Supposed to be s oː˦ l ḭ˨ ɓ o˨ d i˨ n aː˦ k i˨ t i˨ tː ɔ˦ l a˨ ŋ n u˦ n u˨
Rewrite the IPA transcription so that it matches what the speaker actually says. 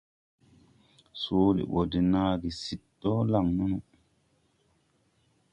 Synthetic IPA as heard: s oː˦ l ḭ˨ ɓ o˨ d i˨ n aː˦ ɡ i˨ s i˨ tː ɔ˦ l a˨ ŋ n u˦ n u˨